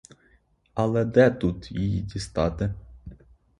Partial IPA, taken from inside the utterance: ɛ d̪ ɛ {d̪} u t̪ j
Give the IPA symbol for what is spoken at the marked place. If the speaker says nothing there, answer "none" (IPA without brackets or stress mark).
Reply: t̪